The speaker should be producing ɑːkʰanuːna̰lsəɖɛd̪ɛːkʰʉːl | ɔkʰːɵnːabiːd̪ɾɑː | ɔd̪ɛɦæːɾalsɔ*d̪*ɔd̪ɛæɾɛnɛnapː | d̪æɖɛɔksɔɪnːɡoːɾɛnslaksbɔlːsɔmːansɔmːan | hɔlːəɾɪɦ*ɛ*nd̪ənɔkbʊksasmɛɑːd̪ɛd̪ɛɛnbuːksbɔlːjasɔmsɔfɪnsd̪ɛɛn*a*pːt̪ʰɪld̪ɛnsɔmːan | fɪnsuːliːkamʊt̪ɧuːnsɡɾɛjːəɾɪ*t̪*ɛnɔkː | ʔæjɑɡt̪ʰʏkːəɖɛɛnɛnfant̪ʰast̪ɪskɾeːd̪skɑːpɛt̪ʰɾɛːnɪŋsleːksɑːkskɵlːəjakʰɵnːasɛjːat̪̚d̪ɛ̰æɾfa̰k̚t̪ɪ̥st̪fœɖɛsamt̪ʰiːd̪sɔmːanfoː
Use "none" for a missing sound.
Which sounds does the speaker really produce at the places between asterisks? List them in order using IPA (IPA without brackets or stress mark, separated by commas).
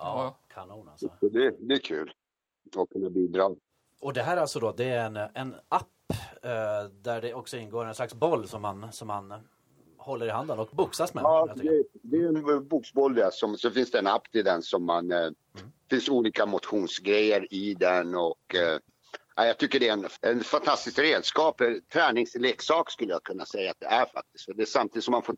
d̪, a, a, d̪